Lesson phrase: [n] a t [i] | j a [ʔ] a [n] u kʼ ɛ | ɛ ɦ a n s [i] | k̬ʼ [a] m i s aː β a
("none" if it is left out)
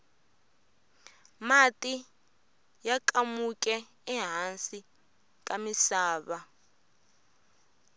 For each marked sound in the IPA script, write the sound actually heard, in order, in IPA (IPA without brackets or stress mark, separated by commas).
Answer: m, i, k, m, i, a